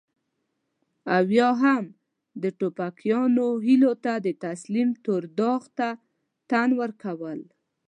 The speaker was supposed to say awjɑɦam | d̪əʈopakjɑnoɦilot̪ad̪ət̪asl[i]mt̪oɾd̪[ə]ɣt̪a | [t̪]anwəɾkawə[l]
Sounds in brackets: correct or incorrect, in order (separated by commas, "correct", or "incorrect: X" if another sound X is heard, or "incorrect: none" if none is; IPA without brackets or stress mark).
correct, incorrect: ɑ, correct, correct